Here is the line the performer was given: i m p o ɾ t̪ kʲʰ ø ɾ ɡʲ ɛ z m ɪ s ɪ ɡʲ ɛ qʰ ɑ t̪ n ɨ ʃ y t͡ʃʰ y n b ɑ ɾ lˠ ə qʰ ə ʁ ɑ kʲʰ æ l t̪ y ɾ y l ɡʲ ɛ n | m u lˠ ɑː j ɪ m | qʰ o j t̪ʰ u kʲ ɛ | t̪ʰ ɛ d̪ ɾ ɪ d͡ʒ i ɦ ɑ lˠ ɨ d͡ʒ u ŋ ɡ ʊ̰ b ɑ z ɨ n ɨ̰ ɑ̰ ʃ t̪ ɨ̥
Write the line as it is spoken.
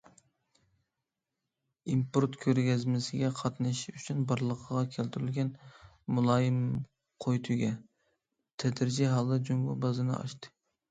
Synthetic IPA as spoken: i m p o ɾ t̪ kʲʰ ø ɾ ɡʲ ɛ z m ɪ s ɪ ɡʲ ɛ qʰ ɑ t̪ n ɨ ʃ y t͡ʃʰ y n b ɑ ɾ lˠ ə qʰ ə ʁ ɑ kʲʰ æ l t̪ y ɾ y l ɡʲ ɛ n | m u lˠ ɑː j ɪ m | qʰ o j t̪ʰ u ɡʲ ɛ | t̪ʰ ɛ d̪ ɾ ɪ d͡ʒ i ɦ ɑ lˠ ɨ d͡ʒ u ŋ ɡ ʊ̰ b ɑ z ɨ n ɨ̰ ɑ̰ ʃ t̪ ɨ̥

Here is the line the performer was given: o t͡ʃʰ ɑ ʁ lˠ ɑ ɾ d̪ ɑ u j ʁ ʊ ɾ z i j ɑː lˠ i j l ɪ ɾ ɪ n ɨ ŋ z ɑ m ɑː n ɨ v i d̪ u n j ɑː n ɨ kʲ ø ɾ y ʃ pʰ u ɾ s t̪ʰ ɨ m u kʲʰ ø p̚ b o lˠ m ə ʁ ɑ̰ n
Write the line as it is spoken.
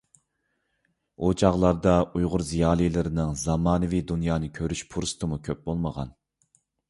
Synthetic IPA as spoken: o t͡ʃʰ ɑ ʁ lˠ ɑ ɾ d̪ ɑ u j ʁ ʊ ɾ z i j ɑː lˠ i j l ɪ ɾ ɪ n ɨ ŋ z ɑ m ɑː n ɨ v i d̪ u n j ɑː n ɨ kʲʰ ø ɾ y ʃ pʰ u ɾ s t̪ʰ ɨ m u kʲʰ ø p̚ b o lˠ m ə ʁ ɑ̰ n

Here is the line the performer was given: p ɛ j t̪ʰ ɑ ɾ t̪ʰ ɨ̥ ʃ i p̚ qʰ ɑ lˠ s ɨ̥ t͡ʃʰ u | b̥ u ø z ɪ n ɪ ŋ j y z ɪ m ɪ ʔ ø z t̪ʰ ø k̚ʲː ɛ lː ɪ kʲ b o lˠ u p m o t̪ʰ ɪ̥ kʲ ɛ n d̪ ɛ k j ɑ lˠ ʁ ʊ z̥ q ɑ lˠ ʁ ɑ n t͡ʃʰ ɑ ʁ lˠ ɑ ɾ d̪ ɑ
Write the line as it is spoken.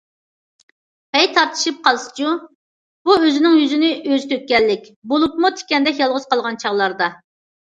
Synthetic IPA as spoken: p ɛ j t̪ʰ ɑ ɾ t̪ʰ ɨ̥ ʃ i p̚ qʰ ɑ lˠ s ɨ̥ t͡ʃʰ u | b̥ u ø z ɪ n ɪ ŋ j y z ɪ n ɪ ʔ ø z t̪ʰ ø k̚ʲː ɛ lː ɪ kʲ b o lˠ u p m u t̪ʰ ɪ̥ kʲ ɛ n d̪ ɛ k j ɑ lˠ ʁ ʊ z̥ q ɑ lˠ ʁ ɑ n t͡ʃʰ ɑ ʁ lˠ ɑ ɾ d̪ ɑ

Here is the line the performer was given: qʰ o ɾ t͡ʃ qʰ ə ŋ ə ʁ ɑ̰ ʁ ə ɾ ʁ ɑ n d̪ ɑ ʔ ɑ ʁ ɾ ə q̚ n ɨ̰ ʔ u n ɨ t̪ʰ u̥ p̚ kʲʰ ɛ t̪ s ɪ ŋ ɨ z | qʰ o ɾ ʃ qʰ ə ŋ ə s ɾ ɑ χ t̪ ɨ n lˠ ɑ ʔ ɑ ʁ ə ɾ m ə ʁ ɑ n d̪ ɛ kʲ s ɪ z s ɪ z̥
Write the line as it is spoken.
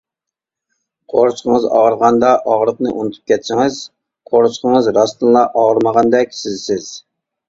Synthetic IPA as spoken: qʰ o ɾ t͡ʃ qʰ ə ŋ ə z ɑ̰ ʁ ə ɾ ʁ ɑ n d̪ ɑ ʔ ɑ ʁ ɾ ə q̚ n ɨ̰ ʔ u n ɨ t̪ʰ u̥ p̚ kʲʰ ɛ t̪ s ɪ ŋ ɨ z | qʰ o ɾ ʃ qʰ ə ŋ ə z ɾ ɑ s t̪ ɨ n lˠ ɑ ʔ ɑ ʁ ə ɾ m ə ʁ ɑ n d̪ ɛ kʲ s ɪ z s ɪ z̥

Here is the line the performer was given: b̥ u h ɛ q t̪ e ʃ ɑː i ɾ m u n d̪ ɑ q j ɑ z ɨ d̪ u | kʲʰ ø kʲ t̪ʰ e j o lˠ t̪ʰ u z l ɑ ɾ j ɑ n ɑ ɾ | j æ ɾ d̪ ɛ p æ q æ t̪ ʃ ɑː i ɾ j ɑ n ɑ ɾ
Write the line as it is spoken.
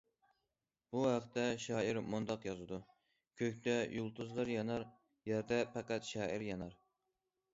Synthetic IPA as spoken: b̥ u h æ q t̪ ɛ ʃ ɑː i ɾ m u n d̪ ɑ q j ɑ z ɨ d̪ u | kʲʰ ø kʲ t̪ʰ ɛ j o lˠ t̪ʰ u z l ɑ ɾ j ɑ n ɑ ɾ | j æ ɾ d̪ ɛ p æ q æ t̪ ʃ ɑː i ɾ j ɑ n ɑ ɾ

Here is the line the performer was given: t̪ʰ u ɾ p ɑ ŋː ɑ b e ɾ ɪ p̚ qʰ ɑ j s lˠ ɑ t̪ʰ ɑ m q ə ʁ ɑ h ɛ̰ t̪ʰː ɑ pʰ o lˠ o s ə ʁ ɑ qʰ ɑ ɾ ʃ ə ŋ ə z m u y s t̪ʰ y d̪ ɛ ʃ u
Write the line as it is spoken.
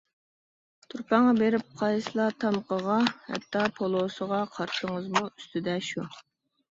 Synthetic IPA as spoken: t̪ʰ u ɾ p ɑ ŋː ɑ b e ɾ ɪ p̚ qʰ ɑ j s lˠ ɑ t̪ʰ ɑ m q ə ʁ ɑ h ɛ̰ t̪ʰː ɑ pʰ o lˠ o s ə ʁ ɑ qʰ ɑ ɾ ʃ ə ŋ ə z m u y s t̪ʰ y d̪ ɛ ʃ u

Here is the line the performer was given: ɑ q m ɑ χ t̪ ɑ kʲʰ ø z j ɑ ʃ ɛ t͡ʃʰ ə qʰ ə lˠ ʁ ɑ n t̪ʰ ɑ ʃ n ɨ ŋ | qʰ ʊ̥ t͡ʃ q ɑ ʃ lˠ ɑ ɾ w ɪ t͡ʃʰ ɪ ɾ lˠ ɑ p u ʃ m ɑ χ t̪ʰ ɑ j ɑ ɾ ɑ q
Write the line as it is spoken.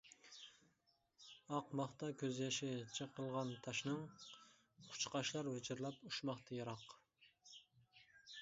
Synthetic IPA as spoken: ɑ q m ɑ χ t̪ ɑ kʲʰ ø z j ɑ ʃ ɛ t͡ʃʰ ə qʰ ə lˠ ʁ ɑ n t̪ʰ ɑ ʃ n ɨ ŋ | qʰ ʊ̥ t͡ʃ q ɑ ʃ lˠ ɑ ɾ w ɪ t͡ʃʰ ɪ ɾ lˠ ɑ p u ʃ m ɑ χ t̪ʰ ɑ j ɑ ɾ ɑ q

